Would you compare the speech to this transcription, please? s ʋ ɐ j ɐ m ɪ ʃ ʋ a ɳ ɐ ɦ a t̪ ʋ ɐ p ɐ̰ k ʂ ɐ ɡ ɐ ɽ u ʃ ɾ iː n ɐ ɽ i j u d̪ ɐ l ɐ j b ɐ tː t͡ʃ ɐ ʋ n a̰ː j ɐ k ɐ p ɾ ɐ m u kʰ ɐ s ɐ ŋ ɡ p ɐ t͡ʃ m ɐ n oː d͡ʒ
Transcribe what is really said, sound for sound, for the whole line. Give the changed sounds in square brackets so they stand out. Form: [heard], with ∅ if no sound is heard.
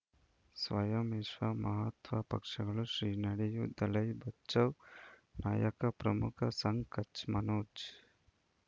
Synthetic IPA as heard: s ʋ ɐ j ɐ m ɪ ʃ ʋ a [m] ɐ ɦ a t̪ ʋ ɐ p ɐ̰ k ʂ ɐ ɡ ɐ [ɭ] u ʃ ɾ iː n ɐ ɽ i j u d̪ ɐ l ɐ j b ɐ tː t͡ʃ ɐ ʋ n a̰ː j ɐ k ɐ p ɾ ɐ m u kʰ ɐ s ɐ ŋ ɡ [k] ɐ t͡ʃ m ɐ n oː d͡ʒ